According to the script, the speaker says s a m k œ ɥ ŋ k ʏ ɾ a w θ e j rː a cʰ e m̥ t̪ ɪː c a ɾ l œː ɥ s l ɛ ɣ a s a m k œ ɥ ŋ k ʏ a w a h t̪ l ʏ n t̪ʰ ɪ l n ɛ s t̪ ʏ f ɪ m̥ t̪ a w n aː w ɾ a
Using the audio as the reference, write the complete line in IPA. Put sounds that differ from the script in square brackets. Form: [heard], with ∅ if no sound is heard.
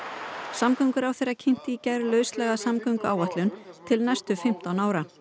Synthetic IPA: s a m k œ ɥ ŋ k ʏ ɾ a w θ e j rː a cʰ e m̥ t̪ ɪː c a ɾ l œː ɥ s l ɛ ɣ a s a m k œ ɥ ŋ k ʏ a w a h t̪ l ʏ n t̪ʰ ɪ l n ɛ s t̪ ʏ f ɪ m̥ t̪ a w n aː w ɾ a